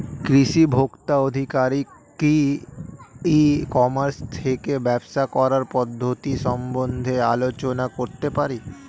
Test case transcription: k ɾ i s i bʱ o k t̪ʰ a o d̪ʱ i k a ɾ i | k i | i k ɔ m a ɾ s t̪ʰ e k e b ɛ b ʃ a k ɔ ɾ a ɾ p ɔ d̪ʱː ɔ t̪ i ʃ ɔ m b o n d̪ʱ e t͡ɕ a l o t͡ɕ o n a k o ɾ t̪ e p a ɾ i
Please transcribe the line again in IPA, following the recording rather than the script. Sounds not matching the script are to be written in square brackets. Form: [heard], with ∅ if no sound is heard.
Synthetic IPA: k ɾ i [ʃ] i bʱ o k [t̪] a o d̪ʱ i k a ɾ i | k i | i k ɔ m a ɾ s t̪ʰ e k e b ɛ b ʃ a k ɔ ɾ a ɾ p ɔ d̪ʱː [o] t̪ i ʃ ɔ m b o n d̪ʱ e [∅] a l o t͡ɕ o n a k o ɾ t̪ e p a ɾ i